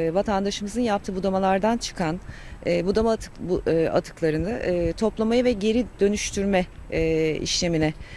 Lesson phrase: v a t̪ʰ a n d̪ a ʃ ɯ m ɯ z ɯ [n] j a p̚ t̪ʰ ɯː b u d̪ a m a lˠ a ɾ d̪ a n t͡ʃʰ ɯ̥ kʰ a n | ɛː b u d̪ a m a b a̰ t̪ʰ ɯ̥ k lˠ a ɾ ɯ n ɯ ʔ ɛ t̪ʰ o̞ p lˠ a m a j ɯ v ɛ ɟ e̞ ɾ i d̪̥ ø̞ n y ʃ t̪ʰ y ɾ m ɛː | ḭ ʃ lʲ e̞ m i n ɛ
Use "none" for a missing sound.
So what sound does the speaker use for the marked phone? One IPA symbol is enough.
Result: n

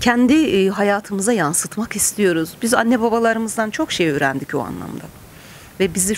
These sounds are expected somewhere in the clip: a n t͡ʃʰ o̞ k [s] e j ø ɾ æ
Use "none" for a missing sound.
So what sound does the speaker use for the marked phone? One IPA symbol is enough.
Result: ʃ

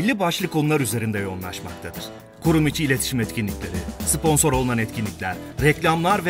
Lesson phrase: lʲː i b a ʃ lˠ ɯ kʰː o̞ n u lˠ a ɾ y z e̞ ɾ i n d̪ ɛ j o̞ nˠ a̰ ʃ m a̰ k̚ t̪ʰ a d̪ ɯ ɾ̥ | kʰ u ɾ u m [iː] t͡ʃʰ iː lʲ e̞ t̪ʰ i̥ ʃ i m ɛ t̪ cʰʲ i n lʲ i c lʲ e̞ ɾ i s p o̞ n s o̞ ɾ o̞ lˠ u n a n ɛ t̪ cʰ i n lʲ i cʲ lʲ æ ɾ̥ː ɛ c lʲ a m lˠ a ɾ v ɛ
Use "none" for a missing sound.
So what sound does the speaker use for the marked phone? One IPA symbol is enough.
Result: i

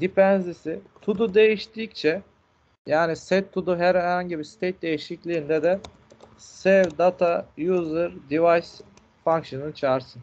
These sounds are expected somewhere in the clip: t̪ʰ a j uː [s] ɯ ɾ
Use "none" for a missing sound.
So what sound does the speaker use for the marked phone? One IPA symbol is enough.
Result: z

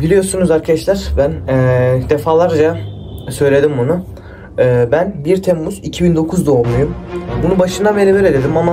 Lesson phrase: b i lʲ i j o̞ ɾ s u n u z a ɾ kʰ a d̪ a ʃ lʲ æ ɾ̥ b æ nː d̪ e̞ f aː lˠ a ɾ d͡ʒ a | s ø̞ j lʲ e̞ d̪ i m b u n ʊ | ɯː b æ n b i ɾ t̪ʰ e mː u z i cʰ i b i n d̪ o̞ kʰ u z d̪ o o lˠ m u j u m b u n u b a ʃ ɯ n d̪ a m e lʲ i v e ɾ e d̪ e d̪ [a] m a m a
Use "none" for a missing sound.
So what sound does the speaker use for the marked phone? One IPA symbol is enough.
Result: i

